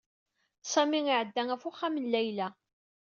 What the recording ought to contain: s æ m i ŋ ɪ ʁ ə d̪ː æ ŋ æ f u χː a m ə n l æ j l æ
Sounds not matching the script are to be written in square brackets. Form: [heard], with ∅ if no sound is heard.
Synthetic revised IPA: s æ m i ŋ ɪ [ʕ] ə d̪ː æ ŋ æ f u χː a m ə n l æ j l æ